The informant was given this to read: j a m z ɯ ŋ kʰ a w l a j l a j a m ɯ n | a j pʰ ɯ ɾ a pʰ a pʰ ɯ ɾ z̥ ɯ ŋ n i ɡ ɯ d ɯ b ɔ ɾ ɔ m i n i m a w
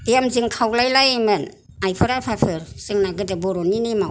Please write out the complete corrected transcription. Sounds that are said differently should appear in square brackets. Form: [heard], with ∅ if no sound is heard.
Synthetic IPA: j a m z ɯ ŋ kʰ a w l a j l a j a m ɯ n | a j pʰ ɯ ɾ a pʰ a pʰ ɯ ɾ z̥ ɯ ŋ n [a] ɡ ɯ d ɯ b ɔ ɾ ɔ [n] i n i m a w